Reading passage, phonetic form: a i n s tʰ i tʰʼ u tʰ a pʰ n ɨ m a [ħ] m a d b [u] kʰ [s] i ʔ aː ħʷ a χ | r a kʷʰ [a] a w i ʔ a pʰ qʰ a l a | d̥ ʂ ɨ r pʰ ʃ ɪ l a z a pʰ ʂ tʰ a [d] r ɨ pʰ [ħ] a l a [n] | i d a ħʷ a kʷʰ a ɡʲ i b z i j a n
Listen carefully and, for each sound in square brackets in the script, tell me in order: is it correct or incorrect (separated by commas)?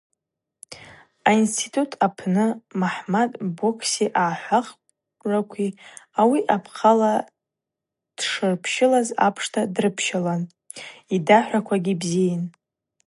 correct, incorrect, correct, incorrect, correct, incorrect, correct